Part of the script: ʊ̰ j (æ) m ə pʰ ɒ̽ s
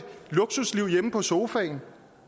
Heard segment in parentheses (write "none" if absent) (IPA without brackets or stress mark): e